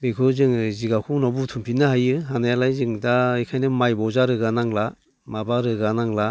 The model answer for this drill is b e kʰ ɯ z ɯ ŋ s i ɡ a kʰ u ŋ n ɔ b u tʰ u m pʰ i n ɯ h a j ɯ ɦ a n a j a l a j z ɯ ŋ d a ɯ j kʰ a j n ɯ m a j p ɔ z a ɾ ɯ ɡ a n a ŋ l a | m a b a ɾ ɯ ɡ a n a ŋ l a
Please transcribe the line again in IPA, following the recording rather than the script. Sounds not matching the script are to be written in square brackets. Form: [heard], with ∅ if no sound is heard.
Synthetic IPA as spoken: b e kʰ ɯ z ɯ ŋ [z] i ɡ a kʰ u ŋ n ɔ b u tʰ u m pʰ i n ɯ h a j ɯ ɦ a n a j a l a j z ɯ ŋ d a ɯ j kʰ a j n ɯ m a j [b] ɔ z a ɾ ɯ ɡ a n a ŋ l a | m a b a ɾ ɯ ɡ a n a ŋ l a